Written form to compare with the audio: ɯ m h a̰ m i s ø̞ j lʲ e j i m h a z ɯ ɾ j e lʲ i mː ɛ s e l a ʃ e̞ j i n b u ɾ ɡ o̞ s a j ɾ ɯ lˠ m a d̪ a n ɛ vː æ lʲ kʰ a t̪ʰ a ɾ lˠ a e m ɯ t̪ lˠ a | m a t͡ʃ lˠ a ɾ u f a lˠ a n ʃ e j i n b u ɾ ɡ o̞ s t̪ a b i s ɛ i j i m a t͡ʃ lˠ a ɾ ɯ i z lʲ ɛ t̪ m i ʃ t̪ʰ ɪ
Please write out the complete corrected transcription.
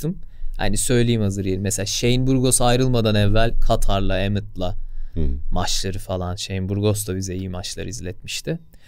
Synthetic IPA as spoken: ɯ m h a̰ n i s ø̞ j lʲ e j i m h a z ɯ ɾ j e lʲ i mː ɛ s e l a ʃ e̞ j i n b u ɾ ɡ o̞ s a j ɾ ɯ lˠ m a d̪ a n ɛ vː æ lʲ kʰ a t̪ʰ a ɾ lˠ a e m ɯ t̪ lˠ a | m a t͡ʃ lˠ a ɾ ɯ f a lˠ a n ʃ e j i n b u ɾ ɡ o̞ s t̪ a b i z ɛ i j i m a t͡ʃ lˠ a ɾ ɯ i z lʲ ɛ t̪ m i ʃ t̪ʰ ɪ